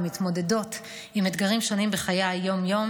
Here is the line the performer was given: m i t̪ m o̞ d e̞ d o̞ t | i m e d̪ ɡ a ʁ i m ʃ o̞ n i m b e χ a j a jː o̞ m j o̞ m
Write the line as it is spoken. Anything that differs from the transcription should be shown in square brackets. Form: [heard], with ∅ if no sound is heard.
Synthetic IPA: m i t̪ m o̞ d e̞ d o̞ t | i m e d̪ ɡ a ʁ i m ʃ o̞ n i m b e χ a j a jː o̞ m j o̞ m